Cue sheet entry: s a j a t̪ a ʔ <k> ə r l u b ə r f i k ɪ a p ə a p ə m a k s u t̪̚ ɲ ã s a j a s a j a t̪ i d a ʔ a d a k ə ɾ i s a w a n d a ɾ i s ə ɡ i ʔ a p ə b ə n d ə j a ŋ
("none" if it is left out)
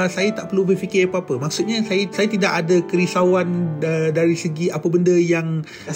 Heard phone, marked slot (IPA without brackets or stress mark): p